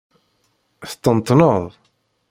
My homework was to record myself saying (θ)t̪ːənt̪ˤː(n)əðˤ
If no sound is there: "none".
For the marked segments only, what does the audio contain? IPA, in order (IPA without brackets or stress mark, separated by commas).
θ, n